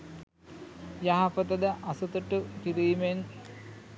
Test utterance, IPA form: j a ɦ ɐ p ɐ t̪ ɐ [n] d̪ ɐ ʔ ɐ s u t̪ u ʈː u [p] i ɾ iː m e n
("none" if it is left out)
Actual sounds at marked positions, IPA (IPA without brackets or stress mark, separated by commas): none, k